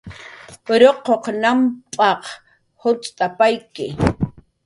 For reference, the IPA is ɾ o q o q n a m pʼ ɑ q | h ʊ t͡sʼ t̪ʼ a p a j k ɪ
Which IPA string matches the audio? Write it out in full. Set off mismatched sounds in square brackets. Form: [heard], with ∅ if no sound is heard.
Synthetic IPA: ɾ o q o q n a m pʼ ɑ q | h ʊ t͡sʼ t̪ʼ a p a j k ɪ